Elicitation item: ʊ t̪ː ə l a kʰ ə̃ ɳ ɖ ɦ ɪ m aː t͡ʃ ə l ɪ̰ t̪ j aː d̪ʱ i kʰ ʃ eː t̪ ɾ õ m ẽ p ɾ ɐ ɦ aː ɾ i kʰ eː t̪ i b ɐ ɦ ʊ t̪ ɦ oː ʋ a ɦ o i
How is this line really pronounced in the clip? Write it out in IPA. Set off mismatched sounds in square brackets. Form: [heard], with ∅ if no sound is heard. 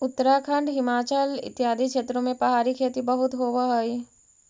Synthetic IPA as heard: ʊ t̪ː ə [ɾ] a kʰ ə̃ ɳ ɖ ɦ ɪ m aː t͡ʃ ə l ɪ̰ t̪ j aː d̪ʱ i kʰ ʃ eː t̪ ɾ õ m ẽ p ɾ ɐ ɦ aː ɾ i kʰ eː t̪ i b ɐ ɦ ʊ t̪ ɦ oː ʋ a ɦ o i